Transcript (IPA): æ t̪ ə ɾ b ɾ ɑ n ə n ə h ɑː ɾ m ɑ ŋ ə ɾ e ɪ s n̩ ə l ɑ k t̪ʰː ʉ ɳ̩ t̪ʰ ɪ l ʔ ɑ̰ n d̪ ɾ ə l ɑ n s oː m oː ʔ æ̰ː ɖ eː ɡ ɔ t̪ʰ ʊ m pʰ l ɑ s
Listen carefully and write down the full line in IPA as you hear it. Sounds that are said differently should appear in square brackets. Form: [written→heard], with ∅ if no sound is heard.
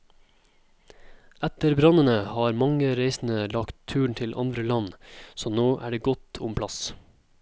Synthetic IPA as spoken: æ t̪ ə ɾ b ɾ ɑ n ə n ə h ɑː ɾ m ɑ ŋ ə ɾ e ɪ s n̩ ə l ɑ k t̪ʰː [ʉ→ʉː] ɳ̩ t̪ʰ ɪ l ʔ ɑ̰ n d̪ ɾ ə l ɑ n s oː [m→n] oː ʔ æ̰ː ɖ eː ɡ ɔ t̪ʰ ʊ m pʰ l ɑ s